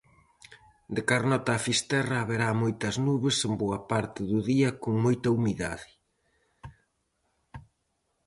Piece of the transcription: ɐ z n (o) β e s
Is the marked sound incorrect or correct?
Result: incorrect